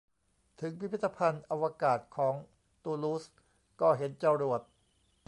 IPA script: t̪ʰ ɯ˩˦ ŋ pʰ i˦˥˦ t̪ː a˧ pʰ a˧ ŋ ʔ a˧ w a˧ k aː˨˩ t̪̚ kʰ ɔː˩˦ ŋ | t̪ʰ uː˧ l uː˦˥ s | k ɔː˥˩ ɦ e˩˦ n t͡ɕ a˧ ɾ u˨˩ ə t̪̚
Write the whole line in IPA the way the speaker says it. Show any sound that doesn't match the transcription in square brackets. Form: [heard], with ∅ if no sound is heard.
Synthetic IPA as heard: t̪ʰ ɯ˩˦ ŋ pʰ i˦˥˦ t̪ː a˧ pʰ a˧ [n] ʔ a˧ w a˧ k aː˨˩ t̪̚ kʰ ɔː˩˦ ŋ | [t̪] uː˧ l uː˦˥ s | k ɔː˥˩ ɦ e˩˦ n t͡ɕ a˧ ɾ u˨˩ ə t̪̚